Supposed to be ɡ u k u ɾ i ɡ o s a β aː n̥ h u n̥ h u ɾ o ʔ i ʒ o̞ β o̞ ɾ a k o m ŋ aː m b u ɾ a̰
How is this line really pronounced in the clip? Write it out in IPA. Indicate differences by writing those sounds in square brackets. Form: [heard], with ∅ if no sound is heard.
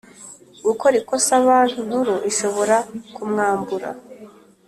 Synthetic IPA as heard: ɡ u k [o] ɾ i [k] o s a β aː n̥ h u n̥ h u ɾ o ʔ i [ʃ] o̞ β o̞ ɾ a k [u] m ŋ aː m b u ɾ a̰